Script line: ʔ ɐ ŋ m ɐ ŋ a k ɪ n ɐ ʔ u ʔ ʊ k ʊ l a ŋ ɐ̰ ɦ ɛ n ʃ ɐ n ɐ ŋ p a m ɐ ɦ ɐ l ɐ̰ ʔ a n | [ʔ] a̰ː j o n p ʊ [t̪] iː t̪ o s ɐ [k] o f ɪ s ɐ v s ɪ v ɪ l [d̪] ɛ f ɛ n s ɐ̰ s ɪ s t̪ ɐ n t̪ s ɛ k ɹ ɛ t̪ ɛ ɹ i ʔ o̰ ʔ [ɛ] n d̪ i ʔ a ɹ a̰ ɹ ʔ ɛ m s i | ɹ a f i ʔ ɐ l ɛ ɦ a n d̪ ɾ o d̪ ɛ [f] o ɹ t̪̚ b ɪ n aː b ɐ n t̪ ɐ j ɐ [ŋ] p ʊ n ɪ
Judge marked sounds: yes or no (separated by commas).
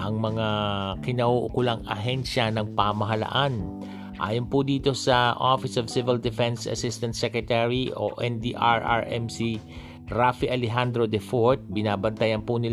yes, no, no, yes, yes, yes, no